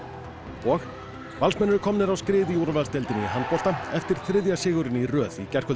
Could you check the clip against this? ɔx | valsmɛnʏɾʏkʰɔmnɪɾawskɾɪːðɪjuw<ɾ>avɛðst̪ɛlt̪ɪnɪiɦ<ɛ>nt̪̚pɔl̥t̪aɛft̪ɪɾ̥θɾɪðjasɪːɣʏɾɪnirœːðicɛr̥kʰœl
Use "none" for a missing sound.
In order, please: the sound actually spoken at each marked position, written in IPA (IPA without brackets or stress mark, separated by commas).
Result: ɾ, a